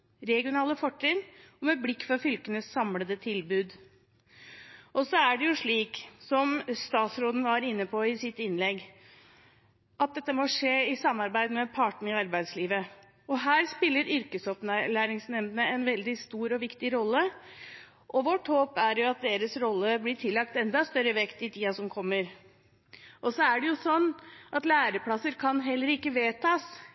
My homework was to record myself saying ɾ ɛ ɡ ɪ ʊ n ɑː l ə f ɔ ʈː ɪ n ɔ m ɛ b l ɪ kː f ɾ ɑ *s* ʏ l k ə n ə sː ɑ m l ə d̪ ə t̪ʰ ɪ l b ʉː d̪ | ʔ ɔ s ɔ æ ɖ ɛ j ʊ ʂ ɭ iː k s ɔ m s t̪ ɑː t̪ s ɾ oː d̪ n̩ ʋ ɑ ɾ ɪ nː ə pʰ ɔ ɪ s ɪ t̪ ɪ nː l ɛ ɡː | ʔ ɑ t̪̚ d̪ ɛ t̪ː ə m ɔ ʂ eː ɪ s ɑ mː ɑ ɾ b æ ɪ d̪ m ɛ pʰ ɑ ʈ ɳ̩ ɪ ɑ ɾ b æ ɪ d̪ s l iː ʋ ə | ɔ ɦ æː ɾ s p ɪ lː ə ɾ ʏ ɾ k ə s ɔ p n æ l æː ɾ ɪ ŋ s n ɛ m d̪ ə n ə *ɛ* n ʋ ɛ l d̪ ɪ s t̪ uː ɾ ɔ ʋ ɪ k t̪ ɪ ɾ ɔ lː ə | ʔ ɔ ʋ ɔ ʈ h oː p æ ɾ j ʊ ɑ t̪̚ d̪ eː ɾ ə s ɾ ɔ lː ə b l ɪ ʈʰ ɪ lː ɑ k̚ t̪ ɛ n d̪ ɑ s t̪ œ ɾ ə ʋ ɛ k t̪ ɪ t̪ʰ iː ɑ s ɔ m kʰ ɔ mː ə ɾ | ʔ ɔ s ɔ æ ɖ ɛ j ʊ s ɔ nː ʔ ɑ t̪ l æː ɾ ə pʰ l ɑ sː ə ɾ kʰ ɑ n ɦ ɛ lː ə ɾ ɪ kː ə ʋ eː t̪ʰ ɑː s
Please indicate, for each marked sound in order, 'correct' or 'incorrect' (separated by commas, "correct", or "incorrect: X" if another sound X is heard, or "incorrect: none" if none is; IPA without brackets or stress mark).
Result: incorrect: f, correct